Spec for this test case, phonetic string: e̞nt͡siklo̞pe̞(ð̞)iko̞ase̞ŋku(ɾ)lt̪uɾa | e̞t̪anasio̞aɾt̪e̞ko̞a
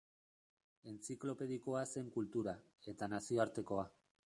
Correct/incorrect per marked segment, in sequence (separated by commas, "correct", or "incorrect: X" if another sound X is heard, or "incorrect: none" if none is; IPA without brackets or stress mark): correct, incorrect: none